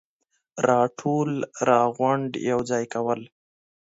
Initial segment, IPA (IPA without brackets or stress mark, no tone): ɾ